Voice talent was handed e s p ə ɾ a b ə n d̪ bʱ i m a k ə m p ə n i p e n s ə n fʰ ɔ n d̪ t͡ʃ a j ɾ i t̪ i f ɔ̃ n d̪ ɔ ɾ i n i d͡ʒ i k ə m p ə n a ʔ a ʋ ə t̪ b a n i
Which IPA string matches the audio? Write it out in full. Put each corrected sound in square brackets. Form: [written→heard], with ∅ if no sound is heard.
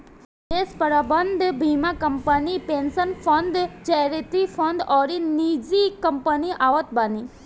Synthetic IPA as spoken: e s p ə ɾ a b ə n d̪ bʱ i m a k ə m p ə n i p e n s ə n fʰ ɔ n d̪ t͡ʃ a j ɾ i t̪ i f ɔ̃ n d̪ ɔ ɾ i n i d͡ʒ i k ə m p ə n [a→i] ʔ a ʋ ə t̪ b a n i